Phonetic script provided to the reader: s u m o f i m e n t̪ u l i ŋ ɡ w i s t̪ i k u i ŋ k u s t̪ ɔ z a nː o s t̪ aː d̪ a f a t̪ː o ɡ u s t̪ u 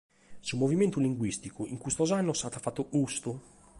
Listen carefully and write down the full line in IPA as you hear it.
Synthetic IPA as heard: s u m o v i m e n t̪ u l i ŋ ɡ w i s t̪ i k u i ŋ k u s t̪ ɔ z a nː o s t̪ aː t̪ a f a t̪ː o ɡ u s t̪ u